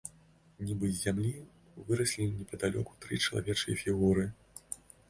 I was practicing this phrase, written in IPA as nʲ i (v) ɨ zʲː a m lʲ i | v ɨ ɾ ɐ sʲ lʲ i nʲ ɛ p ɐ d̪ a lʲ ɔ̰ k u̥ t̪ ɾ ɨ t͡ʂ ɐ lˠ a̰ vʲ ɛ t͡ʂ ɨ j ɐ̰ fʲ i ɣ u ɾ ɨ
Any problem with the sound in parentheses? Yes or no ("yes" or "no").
yes